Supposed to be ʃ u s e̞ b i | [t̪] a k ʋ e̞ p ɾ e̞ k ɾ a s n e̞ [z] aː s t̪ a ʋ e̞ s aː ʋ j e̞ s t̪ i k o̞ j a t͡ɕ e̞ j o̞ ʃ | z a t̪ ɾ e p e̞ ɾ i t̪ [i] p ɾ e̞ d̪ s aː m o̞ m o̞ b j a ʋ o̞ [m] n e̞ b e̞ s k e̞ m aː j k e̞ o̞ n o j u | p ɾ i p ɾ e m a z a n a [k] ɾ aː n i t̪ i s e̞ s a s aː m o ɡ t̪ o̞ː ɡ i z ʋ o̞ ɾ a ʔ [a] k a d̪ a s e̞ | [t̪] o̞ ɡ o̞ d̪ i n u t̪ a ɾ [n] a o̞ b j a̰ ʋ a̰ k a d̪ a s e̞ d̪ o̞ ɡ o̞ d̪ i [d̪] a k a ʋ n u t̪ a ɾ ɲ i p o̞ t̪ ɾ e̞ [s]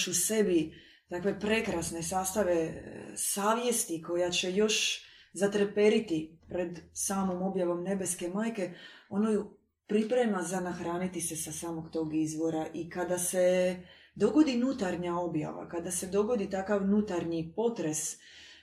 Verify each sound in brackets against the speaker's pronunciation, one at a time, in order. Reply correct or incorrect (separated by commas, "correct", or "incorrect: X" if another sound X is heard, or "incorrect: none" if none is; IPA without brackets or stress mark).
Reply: correct, incorrect: s, correct, correct, incorrect: x, incorrect: i, incorrect: d̪, incorrect: ɲ, incorrect: t̪, correct